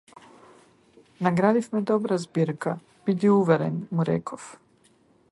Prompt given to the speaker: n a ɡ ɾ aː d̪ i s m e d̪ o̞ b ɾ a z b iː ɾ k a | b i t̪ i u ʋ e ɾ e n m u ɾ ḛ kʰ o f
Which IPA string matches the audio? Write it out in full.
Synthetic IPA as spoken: n a ɡ ɾ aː d̪ i f m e d̪ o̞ b ɾ a z b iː ɾ k a | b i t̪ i u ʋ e ɾ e n m u ɾ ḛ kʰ o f